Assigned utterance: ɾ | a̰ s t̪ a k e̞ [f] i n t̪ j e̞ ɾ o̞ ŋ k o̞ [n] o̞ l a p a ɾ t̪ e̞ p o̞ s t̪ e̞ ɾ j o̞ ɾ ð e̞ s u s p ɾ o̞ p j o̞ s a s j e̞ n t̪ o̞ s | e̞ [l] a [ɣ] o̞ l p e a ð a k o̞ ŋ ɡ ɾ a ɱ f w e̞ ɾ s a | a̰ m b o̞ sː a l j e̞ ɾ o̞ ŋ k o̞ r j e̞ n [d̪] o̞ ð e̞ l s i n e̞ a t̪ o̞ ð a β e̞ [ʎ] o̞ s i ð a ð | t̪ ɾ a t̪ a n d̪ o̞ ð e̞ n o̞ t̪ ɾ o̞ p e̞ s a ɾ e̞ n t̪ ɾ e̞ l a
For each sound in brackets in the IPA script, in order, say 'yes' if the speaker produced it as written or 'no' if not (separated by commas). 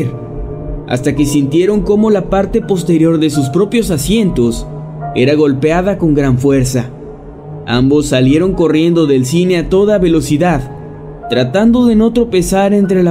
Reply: no, no, no, yes, yes, no